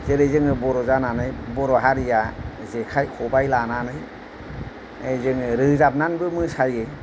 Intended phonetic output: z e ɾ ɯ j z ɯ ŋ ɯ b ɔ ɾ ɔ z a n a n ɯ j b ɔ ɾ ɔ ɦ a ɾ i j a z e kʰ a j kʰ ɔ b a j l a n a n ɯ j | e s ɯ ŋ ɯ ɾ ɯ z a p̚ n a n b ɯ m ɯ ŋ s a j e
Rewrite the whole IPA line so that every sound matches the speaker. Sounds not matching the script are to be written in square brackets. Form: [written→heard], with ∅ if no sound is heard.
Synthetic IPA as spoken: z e ɾ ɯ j z ɯ ŋ ɯ b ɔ ɾ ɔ z a n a n ɯ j b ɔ ɾ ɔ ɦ a ɾ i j a z e kʰ a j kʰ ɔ b a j l a n a n ɯ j | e [s→z] ɯ ŋ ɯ ɾ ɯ z a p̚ n a n b ɯ m ɯ [ŋ→∅] s a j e